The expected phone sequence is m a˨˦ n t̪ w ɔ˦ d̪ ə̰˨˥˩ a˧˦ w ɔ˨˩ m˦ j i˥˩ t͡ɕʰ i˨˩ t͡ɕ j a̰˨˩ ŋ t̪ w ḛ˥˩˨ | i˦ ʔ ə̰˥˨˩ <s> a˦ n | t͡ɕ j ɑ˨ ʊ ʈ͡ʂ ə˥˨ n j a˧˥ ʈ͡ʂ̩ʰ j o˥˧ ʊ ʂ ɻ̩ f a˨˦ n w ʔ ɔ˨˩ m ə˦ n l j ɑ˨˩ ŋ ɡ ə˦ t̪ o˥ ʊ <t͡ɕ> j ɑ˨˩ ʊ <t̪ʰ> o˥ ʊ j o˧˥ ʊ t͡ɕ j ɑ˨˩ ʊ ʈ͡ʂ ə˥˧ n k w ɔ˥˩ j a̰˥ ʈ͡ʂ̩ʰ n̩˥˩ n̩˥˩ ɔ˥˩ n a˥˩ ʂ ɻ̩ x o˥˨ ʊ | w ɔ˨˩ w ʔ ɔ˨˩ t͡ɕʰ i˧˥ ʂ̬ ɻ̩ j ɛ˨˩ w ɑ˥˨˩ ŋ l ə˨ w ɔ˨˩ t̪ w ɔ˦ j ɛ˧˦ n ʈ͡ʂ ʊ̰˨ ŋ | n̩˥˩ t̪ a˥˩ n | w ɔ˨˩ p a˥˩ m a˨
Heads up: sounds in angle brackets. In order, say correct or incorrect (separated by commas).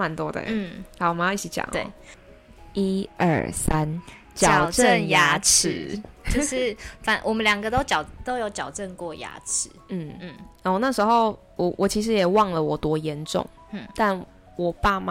correct, correct, incorrect